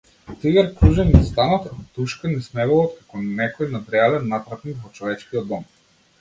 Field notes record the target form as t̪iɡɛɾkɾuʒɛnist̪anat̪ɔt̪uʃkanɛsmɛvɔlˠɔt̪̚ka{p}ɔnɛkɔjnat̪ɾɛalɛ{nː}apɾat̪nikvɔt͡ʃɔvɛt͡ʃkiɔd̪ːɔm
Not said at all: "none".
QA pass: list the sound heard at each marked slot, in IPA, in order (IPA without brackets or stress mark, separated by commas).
k, nː